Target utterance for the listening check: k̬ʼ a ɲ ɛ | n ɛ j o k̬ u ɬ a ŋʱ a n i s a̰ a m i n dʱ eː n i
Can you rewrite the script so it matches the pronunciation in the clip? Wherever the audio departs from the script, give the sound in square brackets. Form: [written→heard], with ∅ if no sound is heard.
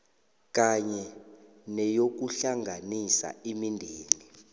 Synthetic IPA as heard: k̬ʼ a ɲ ɛ | n ɛ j o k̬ u ɬ a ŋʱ a n i s a̰ [a→i] m i n dʱ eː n i